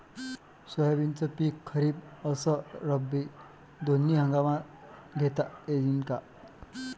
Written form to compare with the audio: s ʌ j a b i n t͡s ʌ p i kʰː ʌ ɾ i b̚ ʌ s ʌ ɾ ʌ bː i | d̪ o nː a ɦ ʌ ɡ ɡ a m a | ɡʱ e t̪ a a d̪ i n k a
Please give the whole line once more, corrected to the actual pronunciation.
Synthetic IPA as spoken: s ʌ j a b i n t͡s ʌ p i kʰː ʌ ɾ i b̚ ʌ s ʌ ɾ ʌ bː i | d̪ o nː i ɦ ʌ ŋ ɡ a m a | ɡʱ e t̪ a e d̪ i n k a